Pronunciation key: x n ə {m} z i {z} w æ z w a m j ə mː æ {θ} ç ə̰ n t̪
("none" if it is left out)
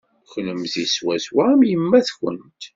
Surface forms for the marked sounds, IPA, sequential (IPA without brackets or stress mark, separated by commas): m, s, θ